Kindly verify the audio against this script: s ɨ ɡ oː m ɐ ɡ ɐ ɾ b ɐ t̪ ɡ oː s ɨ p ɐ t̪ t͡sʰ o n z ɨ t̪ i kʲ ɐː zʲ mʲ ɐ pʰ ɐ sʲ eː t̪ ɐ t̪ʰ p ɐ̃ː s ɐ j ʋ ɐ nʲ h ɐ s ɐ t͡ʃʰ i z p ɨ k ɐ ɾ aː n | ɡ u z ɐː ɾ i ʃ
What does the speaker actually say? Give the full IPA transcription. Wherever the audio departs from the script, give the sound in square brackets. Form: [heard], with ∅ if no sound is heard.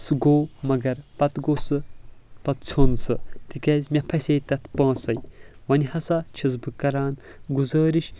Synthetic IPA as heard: s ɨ ɡ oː m ɐ ɡ ɐ ɾ [p] ɐ t̪ ɡ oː s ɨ p ɐ t̪ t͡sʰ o n [s] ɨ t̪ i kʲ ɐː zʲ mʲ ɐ pʰ ɐ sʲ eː t̪ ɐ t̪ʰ p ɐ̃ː s ɐ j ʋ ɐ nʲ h ɐ s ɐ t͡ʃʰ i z [b] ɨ k ɐ ɾ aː n | ɡ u z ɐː ɾ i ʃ